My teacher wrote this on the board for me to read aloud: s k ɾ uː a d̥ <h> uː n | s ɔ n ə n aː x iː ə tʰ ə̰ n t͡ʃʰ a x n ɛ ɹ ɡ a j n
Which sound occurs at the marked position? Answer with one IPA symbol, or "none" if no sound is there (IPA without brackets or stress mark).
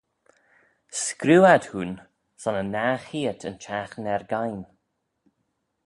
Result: h